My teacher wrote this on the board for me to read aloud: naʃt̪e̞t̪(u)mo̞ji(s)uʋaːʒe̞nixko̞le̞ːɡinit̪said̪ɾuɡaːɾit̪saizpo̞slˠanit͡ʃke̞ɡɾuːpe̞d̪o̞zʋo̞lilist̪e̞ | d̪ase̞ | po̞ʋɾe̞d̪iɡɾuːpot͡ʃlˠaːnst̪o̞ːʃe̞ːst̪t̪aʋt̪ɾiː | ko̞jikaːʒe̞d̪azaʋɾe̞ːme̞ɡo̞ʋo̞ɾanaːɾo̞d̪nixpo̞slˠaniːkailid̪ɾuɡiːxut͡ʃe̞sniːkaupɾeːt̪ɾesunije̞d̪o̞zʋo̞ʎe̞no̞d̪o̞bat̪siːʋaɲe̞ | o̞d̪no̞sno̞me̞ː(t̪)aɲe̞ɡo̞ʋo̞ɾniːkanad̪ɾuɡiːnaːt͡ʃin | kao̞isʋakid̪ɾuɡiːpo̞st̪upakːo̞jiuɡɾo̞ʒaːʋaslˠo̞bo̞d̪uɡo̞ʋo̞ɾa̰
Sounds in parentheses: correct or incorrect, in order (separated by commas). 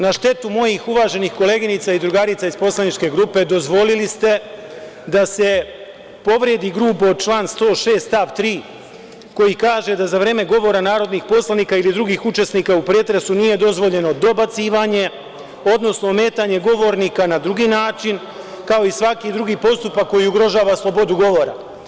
correct, incorrect, correct